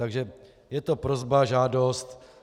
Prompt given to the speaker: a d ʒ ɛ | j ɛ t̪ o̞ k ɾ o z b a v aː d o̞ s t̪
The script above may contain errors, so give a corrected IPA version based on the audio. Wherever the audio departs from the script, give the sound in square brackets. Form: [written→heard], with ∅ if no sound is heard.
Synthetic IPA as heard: a [d→ɡ] ʒ ɛ | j ɛ t̪ o̞ [k→p] ɾ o z b a [v→ʒ] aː d o̞ s t̪